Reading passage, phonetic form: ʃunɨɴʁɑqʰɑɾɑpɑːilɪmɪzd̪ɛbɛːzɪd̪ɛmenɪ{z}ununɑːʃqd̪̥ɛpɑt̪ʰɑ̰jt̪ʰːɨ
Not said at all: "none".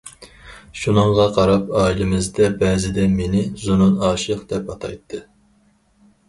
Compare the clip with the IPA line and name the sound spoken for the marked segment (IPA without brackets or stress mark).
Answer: z